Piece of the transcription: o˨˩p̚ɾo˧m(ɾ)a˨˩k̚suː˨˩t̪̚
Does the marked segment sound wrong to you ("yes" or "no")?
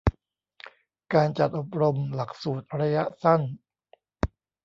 yes